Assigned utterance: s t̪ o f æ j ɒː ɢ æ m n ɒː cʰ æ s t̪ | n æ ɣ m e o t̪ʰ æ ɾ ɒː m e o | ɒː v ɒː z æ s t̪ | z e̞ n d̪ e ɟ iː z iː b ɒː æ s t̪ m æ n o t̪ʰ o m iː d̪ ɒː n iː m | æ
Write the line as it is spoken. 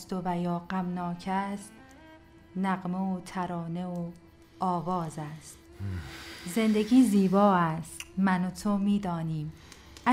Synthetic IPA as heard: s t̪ o v æ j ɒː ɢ æ m n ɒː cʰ æ s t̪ | n æ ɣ m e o t̪ʰ æ ɾ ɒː n e o | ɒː v ɒː z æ s t̪ | z e̞ n d̪ e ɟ iː z iː b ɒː æ s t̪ m æ n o t̪ʰ o m iː d̪ ɒː n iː m | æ